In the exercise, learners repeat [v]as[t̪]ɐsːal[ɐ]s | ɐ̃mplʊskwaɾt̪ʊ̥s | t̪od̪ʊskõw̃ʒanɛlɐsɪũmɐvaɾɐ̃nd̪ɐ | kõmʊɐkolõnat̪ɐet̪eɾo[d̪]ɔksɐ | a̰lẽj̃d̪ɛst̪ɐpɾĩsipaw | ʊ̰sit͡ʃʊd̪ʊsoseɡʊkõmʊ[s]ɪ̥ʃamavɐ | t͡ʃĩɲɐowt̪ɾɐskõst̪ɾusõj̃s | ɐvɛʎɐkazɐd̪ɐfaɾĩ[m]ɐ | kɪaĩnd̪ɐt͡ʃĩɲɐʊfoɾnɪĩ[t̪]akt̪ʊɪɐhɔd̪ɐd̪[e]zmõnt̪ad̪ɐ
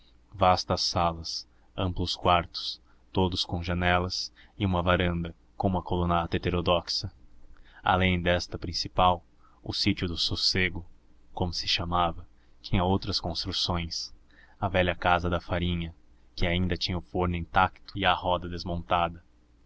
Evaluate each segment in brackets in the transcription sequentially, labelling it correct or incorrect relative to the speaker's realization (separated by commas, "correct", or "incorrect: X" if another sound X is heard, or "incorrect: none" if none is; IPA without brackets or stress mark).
correct, correct, correct, correct, correct, incorrect: ɲ, correct, correct